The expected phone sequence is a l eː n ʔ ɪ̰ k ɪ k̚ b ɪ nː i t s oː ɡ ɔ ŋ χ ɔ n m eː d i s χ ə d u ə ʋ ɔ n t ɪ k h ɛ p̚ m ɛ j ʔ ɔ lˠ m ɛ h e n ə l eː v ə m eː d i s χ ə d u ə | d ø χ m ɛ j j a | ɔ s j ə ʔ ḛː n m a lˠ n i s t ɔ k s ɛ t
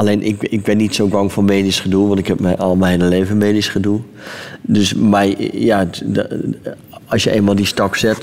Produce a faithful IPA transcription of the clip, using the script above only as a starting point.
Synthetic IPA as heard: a l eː n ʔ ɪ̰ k ɪ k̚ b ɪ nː i t s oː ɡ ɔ ŋ f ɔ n m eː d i s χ ə d u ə ʋ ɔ n t ɪ k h ɛ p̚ m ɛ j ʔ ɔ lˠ m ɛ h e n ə l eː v ə m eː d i s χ ə d u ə | d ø s m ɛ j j a | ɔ s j ə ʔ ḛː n m a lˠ d i s t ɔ k s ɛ t